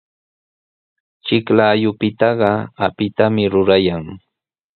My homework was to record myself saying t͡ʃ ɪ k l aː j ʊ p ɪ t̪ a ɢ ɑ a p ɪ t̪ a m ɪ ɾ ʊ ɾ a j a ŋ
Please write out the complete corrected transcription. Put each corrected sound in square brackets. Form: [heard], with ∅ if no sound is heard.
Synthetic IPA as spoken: t͡ʃ ɪ k l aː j ʊ p ɪ t̪ [ɑ] ɢ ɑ a p ɪ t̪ a m ɪ ɾ ʊ ɾ a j a ŋ